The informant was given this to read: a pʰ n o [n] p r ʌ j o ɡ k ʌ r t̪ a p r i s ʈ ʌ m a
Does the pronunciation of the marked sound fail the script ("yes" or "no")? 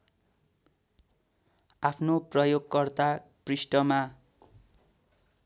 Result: yes